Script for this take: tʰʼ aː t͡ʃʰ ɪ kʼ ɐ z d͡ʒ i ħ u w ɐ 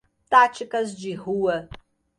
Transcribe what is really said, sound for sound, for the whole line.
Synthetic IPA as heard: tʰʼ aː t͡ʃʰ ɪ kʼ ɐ z d͡ʒ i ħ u w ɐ